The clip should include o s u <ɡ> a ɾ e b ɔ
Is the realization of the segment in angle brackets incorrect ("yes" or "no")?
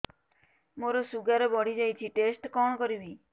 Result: no